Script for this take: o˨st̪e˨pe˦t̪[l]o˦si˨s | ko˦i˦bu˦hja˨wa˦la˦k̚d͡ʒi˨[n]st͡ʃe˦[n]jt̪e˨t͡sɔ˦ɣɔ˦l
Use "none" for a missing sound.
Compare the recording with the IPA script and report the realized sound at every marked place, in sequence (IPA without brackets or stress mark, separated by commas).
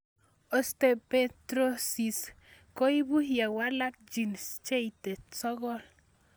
ɾ, n, none